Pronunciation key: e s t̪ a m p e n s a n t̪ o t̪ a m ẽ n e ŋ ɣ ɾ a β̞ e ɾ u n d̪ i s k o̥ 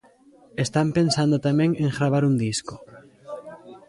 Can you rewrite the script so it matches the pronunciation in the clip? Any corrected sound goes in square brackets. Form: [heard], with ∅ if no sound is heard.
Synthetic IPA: e s t̪ a m p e n s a n [d̪] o t̪ a m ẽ [ŋ] e ŋ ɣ ɾ a β̞ [a] ɾ u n d̪ i s k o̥